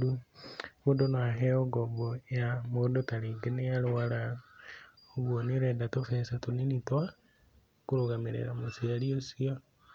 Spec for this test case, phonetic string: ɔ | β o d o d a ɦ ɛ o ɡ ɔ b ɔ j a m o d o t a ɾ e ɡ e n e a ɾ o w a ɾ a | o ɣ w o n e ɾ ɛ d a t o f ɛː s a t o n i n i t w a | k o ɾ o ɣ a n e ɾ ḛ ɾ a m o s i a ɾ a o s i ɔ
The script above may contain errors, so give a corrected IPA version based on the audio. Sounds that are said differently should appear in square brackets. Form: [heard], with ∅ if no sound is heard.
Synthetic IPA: [u] | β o d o [n] a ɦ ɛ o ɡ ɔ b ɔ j a m o d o t a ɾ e ɡ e n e a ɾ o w a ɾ a | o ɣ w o n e ɾ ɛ d a t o f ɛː s a t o n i n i t w a | k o ɾ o ɣ a [m] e ɾ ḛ ɾ a m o s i a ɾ [i] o s i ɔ